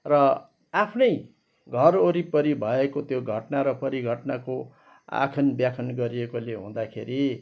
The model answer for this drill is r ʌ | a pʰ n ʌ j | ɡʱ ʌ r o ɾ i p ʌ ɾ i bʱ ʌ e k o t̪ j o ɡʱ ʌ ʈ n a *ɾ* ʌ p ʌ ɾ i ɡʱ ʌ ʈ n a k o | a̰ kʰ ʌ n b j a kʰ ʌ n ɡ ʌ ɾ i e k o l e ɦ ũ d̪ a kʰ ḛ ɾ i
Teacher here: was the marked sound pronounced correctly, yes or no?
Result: yes